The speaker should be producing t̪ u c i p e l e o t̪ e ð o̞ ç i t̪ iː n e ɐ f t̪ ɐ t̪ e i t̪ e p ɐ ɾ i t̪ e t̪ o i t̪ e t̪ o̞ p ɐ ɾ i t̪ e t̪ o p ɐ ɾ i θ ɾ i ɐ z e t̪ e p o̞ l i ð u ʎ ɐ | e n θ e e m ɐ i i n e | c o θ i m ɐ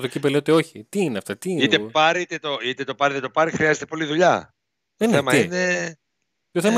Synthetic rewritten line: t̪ o c i p e l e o t̪ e o̞ ç i t̪ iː n e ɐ f t̪ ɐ t̪ i i t̪ e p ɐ ɾ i t̪ e t̪ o i t̪ e t̪ o̞ p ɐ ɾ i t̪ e t̪ o p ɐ ɾ i x ɾ i ɐ z e t̪ e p o̞ l i ð u ʎ ɐ | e n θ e e m ɐ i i n e | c o θ e m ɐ